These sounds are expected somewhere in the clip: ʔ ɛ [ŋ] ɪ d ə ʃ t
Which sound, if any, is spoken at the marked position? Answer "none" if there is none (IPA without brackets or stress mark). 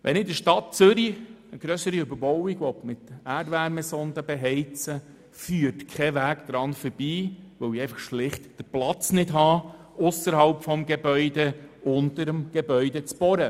n